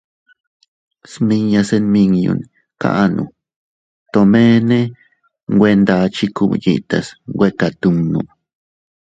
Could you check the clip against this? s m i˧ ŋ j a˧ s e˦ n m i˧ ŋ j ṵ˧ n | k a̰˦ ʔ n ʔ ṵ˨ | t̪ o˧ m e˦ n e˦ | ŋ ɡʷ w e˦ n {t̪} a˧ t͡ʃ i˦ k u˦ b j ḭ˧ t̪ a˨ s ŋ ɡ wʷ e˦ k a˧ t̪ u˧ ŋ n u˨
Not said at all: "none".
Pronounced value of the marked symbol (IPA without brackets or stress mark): d̪